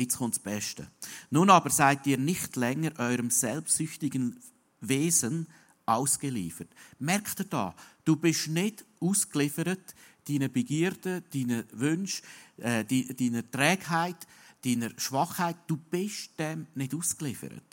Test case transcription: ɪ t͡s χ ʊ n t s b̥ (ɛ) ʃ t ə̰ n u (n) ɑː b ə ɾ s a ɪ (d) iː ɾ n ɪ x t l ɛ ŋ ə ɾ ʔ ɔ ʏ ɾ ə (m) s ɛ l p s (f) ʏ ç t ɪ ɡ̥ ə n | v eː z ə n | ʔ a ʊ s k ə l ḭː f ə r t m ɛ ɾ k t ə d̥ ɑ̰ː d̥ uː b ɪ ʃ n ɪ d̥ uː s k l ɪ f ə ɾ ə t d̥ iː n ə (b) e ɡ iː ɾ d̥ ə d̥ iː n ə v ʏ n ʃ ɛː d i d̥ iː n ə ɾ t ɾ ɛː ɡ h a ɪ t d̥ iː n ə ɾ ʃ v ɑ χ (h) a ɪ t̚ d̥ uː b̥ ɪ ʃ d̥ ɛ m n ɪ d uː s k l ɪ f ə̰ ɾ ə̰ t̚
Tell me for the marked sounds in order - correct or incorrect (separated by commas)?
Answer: correct, correct, incorrect, correct, incorrect, correct, correct